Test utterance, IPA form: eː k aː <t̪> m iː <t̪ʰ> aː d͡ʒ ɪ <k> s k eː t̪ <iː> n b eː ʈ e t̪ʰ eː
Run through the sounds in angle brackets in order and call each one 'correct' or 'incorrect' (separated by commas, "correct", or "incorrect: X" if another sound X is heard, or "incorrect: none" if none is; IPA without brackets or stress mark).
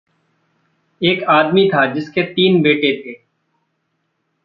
incorrect: d̪, correct, incorrect: none, correct